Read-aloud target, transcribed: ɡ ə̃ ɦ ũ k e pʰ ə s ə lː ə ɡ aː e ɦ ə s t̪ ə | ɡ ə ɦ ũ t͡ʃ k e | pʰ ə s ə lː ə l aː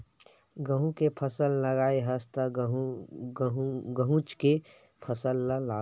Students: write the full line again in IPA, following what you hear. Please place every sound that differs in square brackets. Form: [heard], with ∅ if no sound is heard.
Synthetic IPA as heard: ɡ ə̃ ɦ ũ k e pʰ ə s ə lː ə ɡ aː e ɦ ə s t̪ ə | ɡ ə ɦ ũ t͡ʃ k e | pʰ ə s ə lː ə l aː